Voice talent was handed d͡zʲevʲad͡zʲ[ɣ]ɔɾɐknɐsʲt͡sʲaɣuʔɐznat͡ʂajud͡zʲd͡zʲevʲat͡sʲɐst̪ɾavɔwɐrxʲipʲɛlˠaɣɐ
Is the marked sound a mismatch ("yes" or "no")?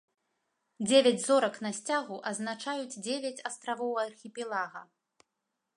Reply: yes